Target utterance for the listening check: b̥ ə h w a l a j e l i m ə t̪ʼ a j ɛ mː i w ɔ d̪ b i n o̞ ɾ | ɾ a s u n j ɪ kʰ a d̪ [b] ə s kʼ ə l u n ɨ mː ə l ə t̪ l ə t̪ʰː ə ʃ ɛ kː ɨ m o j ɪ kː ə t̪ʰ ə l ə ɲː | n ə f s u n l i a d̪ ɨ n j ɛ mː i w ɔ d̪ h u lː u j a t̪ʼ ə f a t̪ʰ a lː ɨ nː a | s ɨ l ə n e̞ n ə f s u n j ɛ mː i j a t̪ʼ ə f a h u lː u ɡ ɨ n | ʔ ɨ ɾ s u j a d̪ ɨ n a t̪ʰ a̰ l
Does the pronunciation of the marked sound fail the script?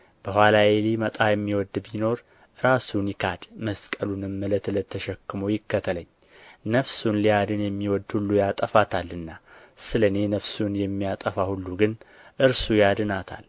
yes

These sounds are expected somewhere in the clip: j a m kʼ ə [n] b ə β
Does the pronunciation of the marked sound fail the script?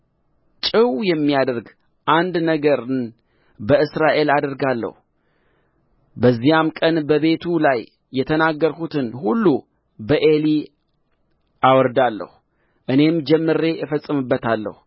no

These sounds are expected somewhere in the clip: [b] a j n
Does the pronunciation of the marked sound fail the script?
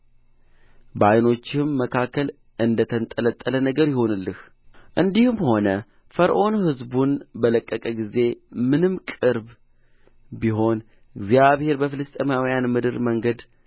no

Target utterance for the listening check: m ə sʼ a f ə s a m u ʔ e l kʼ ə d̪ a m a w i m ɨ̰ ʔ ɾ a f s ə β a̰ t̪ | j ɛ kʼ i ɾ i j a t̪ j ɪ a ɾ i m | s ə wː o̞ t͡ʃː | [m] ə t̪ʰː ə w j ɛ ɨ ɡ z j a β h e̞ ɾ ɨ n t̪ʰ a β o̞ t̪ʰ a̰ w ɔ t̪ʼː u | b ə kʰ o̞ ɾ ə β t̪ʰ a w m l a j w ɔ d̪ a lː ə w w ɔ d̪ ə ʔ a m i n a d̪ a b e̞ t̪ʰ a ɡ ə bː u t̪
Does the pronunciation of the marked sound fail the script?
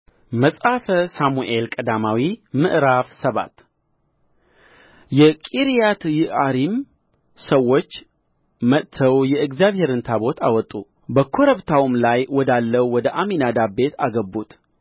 no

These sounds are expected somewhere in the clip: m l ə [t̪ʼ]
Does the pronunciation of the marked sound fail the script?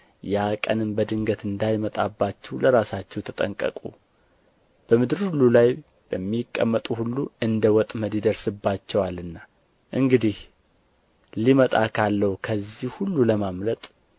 no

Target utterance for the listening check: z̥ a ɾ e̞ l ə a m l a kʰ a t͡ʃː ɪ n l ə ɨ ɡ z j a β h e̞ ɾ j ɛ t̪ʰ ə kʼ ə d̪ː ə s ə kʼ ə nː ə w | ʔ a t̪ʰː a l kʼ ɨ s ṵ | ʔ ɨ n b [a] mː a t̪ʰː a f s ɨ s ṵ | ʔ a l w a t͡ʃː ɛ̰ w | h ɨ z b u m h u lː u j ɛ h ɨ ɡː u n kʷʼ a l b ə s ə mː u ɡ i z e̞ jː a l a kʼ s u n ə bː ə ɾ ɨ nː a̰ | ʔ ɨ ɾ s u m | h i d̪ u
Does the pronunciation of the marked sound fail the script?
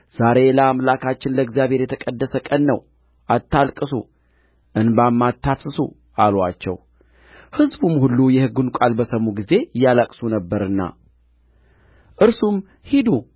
no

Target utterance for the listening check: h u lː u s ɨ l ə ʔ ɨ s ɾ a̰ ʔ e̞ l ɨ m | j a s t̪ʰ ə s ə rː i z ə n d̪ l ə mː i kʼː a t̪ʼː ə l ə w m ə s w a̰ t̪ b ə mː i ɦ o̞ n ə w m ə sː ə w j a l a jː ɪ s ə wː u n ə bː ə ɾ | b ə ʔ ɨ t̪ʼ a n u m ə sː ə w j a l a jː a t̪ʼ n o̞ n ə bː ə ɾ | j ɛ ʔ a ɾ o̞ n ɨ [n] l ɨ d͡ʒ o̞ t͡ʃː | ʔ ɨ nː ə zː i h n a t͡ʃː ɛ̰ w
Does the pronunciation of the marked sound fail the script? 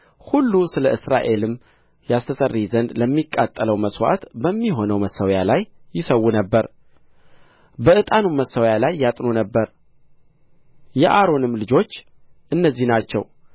yes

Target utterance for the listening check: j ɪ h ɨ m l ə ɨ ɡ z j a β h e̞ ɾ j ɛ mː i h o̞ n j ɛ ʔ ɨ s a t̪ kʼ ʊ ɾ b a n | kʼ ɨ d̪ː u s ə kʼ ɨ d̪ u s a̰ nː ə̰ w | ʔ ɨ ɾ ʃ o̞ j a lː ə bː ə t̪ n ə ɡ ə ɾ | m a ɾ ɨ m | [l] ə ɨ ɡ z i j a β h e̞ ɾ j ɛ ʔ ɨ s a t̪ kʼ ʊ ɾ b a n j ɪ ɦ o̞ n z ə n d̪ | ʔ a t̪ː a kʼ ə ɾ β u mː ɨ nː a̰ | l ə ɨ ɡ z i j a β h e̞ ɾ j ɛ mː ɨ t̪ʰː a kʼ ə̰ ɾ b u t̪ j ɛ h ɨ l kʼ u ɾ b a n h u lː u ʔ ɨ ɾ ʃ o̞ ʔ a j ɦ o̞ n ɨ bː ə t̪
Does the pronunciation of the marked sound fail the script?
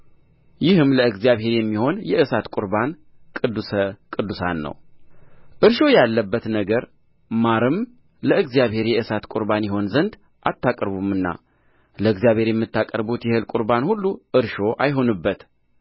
no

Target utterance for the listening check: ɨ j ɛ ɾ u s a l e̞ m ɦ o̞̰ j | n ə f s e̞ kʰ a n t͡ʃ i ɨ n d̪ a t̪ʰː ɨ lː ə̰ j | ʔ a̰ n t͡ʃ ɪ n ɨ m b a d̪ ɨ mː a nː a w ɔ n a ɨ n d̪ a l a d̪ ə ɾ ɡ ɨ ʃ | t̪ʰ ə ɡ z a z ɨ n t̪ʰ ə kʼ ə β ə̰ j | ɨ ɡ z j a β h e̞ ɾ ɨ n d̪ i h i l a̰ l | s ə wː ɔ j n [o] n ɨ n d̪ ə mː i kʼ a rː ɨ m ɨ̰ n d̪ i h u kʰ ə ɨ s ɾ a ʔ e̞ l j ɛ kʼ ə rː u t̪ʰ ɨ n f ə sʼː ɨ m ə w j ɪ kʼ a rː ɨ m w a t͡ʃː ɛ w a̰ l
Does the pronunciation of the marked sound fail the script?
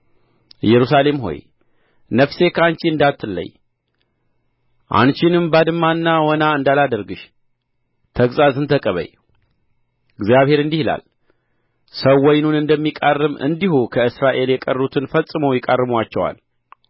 yes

